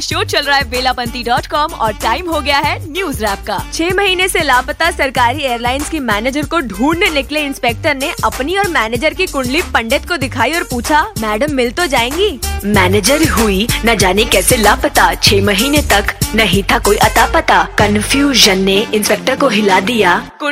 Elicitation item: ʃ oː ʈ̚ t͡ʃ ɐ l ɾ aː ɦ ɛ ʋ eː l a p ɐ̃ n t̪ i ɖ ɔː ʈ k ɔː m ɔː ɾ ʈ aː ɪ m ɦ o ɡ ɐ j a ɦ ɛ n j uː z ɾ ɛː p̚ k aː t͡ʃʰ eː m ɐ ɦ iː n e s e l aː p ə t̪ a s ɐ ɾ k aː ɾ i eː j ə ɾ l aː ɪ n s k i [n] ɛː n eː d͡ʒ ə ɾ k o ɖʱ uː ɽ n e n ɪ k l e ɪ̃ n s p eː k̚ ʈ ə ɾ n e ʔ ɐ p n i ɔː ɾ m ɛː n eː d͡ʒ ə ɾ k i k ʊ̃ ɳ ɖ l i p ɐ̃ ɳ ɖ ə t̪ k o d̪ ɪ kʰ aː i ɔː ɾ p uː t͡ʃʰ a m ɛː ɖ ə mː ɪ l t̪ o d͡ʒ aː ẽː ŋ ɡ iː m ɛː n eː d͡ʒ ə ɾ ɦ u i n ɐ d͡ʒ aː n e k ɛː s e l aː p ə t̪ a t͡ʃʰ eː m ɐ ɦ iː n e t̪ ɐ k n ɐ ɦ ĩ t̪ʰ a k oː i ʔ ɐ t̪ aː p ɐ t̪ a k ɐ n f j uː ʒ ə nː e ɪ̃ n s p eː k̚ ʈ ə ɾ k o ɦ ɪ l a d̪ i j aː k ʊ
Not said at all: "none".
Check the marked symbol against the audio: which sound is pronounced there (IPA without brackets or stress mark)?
m